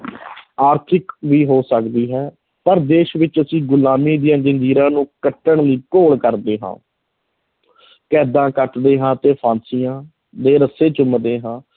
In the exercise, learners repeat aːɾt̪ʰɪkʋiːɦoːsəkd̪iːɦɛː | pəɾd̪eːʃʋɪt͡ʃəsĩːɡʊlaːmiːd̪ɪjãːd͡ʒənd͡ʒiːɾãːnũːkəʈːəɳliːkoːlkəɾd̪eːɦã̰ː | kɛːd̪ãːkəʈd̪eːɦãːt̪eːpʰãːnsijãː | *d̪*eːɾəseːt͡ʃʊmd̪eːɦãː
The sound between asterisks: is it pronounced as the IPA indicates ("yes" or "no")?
yes